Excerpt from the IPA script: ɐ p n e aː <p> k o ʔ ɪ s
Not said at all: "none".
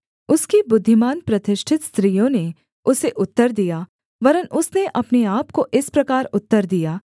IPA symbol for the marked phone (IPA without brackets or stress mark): p